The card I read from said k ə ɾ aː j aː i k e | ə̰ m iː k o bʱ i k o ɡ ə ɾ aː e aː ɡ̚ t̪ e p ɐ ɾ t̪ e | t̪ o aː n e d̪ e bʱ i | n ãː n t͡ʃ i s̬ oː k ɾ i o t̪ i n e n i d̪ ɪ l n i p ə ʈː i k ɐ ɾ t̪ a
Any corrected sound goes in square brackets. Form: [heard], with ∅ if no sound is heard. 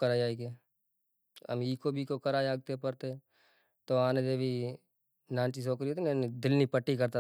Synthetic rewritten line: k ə ɾ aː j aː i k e | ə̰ m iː k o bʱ i k o [k] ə ɾ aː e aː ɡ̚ t̪ e p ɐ ɾ t̪ e | t̪ o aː n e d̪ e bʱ i | n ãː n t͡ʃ i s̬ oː k ɾ i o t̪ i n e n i d̪ ɪ l n i p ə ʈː i k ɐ ɾ t̪ a